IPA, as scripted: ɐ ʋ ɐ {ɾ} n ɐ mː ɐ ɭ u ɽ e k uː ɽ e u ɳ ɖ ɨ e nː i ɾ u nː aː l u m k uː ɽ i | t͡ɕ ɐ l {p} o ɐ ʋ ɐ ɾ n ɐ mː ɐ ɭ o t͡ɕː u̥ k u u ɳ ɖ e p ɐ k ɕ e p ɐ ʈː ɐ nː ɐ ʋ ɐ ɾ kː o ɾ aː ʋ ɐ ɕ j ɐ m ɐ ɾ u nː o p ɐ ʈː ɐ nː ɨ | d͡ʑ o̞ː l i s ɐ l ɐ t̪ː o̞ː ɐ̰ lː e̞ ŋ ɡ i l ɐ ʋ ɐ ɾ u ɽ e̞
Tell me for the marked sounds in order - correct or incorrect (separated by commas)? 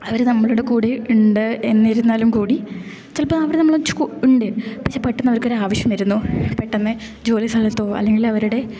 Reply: correct, correct